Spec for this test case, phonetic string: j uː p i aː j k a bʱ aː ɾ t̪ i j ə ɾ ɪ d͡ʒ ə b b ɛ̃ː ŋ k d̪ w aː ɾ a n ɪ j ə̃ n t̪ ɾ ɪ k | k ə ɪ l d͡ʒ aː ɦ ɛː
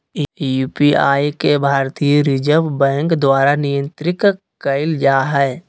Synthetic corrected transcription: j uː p i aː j k e bʱ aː ɾ t̪ i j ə ɾ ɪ d͡ʒ ə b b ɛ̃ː ŋ k d̪ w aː ɾ a n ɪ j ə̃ n t̪ ɾ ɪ k | k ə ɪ l d͡ʒ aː ɦ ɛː